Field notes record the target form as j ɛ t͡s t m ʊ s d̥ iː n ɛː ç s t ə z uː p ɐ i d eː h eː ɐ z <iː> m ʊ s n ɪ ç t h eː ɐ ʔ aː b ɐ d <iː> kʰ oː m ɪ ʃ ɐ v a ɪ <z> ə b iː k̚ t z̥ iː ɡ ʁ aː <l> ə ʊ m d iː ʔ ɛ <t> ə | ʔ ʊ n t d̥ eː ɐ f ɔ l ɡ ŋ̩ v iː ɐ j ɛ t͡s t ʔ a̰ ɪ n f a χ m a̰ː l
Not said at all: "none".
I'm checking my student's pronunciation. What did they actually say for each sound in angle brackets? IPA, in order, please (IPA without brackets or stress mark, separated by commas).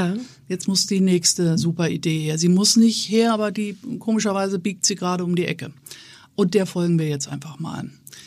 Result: iː, iː, z, ɾ, k